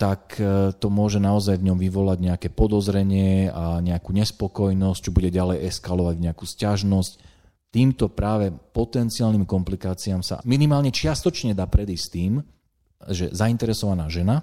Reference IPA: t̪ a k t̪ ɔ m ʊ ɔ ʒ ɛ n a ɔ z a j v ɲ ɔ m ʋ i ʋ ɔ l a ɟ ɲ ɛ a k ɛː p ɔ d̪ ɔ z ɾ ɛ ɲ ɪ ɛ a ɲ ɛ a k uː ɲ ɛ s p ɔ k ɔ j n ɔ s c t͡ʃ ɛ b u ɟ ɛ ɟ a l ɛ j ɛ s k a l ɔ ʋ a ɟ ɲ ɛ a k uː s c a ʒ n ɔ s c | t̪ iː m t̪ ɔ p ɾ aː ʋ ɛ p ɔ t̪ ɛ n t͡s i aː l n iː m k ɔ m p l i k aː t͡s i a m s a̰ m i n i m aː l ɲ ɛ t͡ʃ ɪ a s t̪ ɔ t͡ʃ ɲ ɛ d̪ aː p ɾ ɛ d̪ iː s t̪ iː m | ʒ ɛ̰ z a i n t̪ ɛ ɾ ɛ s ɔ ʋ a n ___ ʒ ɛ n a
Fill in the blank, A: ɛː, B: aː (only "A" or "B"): B